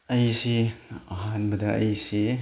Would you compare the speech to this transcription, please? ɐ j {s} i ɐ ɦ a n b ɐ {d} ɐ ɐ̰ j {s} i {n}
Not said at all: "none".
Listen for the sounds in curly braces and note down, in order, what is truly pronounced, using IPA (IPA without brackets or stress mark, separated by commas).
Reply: s, d, s, none